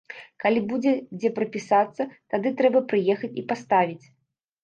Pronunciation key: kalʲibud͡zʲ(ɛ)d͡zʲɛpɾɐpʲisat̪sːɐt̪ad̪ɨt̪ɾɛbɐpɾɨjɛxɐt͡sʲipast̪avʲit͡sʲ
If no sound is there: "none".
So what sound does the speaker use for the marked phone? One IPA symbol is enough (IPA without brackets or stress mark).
ɛ